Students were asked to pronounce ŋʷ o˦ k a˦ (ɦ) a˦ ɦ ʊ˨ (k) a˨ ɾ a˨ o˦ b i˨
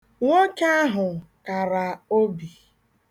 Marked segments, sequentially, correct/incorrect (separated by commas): incorrect, correct